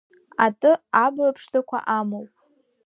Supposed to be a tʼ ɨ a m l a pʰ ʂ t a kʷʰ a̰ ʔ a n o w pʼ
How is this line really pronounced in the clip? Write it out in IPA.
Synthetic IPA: a tʼ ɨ a b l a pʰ ʂ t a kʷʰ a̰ ʔ a m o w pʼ